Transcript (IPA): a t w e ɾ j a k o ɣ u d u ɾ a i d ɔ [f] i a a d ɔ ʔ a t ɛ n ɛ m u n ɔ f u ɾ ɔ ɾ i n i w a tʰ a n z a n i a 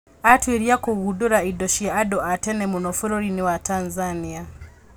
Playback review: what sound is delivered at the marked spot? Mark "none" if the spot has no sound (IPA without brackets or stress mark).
ʃ